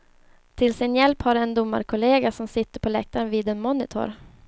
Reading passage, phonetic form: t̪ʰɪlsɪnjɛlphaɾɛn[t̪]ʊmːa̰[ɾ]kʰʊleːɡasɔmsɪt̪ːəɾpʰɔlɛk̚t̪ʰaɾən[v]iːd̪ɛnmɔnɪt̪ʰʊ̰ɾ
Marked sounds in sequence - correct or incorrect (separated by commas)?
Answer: incorrect, correct, correct